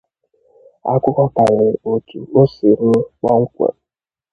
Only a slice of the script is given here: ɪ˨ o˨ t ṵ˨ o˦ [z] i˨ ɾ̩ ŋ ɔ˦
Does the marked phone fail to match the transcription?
yes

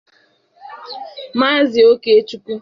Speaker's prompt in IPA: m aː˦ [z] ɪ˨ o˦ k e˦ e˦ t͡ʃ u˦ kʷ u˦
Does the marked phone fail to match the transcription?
no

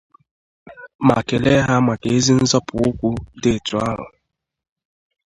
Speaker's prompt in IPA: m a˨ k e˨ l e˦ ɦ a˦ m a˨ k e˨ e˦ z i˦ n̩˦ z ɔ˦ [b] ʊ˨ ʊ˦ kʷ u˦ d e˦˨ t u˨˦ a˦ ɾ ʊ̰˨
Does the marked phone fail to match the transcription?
yes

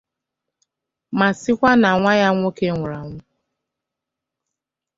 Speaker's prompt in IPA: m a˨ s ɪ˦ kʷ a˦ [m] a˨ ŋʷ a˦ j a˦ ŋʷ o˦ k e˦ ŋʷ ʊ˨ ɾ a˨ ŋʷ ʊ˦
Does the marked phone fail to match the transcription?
yes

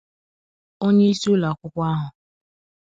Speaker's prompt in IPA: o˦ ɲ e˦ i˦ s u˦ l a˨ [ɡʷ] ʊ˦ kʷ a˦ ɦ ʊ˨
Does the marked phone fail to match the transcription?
yes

